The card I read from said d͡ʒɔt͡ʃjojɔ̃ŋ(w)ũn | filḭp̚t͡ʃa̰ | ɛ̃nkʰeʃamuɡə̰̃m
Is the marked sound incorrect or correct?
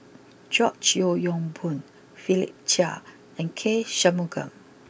incorrect